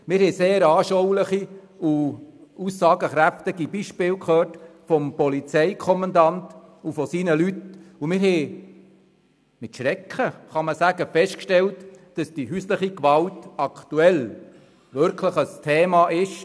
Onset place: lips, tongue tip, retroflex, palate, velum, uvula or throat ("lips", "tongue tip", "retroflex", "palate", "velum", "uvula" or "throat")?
lips